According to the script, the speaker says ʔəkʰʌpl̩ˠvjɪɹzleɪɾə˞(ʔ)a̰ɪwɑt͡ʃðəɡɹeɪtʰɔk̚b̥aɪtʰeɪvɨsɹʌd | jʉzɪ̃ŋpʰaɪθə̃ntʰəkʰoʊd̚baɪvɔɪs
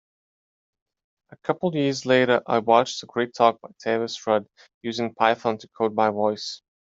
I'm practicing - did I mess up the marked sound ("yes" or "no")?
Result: no